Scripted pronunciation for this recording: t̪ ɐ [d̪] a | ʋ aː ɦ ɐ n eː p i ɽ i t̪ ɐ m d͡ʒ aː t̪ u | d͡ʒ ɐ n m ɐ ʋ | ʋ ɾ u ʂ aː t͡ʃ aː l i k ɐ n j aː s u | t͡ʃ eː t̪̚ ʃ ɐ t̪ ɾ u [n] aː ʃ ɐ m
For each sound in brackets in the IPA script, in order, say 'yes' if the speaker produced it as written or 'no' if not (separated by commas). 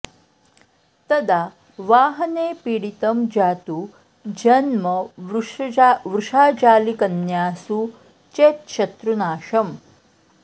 yes, yes